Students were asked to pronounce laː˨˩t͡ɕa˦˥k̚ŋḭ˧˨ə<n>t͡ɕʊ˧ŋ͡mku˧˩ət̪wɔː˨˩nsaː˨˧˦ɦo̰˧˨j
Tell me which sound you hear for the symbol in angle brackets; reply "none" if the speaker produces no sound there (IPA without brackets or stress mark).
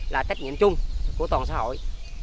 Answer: m